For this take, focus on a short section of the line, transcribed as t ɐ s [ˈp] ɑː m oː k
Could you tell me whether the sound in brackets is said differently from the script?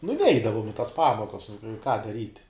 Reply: no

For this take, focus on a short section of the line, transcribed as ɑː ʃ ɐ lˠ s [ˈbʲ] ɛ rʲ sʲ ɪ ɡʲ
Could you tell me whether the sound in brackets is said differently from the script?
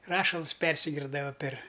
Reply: yes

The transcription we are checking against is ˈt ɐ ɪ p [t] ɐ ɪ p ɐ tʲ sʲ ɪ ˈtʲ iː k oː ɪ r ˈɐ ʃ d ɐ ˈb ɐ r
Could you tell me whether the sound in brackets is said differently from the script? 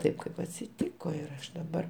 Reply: yes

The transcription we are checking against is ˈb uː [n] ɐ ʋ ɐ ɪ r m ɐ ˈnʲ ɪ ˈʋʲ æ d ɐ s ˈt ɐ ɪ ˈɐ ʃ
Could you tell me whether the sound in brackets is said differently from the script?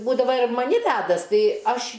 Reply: yes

